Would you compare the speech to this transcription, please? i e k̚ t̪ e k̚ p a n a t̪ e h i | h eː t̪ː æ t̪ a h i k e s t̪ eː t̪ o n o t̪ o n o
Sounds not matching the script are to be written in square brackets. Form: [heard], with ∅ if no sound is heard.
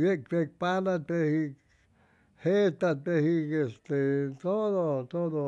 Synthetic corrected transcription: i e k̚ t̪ e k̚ p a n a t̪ e h i | h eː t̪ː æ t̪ [e] h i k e s t̪ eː t̪ o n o t̪ o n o